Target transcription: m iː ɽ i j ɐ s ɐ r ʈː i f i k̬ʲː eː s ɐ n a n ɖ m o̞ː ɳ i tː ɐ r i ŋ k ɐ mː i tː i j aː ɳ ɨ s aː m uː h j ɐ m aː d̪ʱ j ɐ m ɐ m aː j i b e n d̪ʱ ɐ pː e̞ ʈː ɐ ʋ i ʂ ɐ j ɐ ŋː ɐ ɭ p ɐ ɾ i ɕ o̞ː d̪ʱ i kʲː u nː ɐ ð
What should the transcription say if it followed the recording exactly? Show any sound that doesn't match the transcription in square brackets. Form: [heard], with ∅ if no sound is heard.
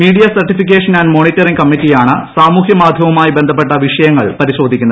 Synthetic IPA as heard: m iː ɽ i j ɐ s ɐ r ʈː i f i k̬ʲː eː [ʂ] ɐ n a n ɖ m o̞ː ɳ i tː ɐ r i ŋ k ɐ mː i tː i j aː ɳ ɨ s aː m uː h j ɐ m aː d̪ʱ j ɐ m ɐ m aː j i b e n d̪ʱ ɐ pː e̞ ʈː ɐ ʋ i ʂ ɐ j ɐ ŋː ɐ ɭ p ɐ ɾ i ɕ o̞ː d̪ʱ i kʲː u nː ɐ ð